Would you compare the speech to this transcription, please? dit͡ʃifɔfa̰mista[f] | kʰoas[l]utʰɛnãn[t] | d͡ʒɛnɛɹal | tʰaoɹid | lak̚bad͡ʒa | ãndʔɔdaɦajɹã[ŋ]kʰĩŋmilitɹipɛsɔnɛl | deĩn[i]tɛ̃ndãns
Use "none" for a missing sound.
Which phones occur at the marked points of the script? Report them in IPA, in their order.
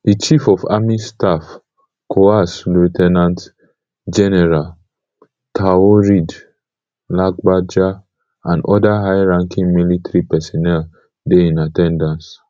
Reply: f, l, t, ŋ, a

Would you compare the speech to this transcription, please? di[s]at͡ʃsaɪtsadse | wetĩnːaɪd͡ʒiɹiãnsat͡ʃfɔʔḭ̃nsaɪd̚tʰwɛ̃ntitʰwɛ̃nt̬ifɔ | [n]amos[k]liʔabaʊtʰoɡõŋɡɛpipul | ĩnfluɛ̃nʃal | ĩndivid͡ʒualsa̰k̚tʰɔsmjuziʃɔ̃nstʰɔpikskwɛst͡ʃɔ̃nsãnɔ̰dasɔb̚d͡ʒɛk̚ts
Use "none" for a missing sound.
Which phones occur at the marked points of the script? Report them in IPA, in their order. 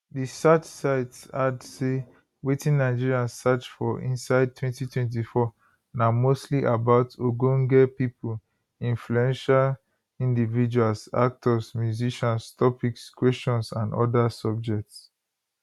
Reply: s, n, t

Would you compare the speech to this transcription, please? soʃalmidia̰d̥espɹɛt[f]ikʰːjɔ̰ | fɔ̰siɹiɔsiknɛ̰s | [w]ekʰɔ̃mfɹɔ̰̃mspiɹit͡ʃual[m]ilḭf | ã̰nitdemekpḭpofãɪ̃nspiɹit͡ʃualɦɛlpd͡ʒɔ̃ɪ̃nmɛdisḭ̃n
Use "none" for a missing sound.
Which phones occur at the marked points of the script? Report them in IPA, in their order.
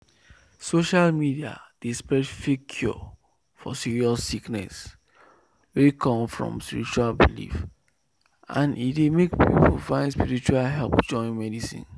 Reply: f, w, b

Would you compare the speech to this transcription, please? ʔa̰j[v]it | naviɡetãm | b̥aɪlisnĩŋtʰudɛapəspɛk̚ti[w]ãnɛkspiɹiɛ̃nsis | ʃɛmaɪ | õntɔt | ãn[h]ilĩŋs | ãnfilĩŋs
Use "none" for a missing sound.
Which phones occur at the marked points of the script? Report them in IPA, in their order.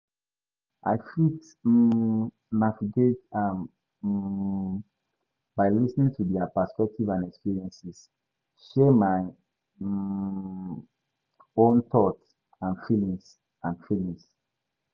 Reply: f, v, f

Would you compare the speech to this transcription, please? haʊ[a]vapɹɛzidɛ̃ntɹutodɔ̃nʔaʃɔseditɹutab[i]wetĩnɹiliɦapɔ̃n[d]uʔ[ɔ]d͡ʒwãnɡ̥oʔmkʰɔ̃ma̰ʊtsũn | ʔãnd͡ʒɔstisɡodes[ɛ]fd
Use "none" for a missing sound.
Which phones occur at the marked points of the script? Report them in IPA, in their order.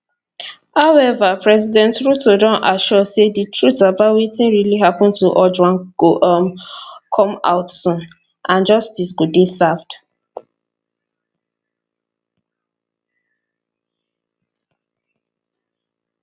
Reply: ɛ, a, t, ɔ, a

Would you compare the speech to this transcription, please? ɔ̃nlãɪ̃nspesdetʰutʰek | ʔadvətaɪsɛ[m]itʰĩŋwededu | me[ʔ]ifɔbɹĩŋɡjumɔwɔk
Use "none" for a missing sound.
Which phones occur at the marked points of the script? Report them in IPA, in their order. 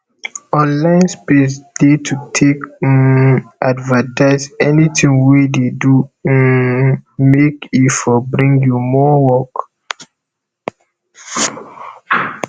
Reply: n, k

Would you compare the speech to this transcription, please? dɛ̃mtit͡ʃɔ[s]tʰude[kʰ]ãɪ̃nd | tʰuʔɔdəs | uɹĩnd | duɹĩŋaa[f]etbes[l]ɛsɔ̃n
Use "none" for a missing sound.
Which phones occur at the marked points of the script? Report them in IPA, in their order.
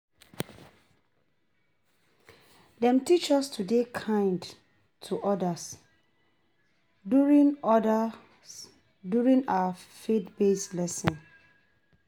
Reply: s, kʰ, f, l

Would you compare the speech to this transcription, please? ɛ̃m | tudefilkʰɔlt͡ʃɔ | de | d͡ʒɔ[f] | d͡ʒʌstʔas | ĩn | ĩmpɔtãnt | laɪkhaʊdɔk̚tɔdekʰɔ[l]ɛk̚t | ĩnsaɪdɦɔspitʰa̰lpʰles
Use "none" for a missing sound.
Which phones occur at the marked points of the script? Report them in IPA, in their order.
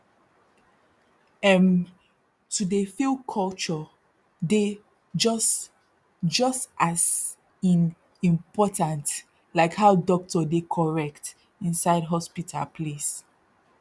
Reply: s, ɹ

